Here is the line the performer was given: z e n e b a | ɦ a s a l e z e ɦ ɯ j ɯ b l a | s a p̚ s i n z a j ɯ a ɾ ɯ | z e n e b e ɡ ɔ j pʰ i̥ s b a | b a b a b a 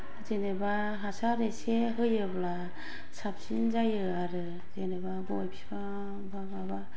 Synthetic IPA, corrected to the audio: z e n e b a | ɦ a s a ɾ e s e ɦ ɯ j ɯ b l a | s a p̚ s i n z a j ɯ a ɾ ɯ | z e n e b a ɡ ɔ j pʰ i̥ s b a | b a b a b a